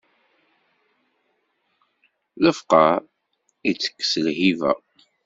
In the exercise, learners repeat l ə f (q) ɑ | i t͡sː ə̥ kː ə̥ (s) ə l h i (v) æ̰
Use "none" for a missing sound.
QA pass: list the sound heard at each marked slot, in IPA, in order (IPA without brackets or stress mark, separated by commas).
q, s, v